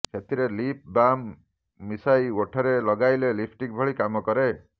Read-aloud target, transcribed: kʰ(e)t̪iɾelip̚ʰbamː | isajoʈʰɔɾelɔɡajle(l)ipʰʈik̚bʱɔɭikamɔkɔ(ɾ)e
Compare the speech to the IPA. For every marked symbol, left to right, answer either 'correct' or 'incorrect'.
correct, correct, correct

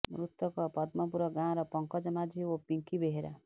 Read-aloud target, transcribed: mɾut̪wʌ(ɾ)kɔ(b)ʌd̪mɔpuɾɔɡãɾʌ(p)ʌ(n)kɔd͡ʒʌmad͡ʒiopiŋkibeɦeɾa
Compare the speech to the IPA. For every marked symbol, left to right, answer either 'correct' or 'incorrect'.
incorrect: none, incorrect: p, correct, incorrect: ŋ

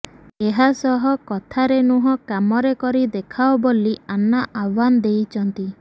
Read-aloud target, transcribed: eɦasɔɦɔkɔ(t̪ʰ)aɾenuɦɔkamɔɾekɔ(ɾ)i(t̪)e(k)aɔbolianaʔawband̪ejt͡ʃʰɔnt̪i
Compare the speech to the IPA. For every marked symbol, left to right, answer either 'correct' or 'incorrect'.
correct, correct, incorrect: d̪, incorrect: kʰ

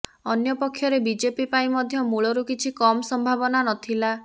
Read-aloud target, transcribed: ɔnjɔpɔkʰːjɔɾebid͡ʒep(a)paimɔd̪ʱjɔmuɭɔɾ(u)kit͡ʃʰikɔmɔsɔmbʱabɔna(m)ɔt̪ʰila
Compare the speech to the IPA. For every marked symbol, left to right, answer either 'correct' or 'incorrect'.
incorrect: i, correct, incorrect: n

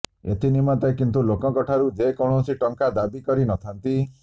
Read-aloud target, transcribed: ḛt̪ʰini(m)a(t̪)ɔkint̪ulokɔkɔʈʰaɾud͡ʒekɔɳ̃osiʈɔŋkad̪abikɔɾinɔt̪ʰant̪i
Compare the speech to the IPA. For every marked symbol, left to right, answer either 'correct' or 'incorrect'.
correct, correct

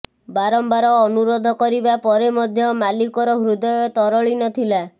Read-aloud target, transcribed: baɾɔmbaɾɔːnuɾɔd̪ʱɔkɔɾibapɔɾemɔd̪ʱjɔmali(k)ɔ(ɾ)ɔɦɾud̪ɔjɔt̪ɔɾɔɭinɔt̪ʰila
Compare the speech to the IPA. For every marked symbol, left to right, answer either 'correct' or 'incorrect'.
correct, correct

